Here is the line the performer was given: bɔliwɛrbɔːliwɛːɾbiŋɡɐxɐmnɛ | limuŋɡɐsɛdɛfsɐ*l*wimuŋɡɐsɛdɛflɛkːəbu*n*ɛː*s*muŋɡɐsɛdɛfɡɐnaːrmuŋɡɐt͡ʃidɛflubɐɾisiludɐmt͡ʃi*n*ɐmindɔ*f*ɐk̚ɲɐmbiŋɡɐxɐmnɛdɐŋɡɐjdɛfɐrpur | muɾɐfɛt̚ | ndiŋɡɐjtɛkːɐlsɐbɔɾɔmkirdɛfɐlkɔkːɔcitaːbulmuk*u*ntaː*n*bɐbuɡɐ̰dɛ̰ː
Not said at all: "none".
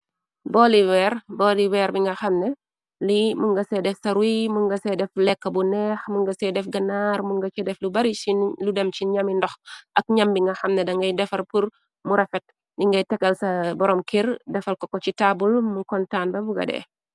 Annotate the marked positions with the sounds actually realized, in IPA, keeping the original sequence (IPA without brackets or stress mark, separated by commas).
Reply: ɾ, n, x, ɲ, x, ɔ, n